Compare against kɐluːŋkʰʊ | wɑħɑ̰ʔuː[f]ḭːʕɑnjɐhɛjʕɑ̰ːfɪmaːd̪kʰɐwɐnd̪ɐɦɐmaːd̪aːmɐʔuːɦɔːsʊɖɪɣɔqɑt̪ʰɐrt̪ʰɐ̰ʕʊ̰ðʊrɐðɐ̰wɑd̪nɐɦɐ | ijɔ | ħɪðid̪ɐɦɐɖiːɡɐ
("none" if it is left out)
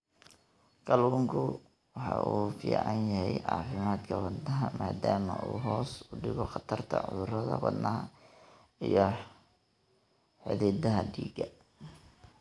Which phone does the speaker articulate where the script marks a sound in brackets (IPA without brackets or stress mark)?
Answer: f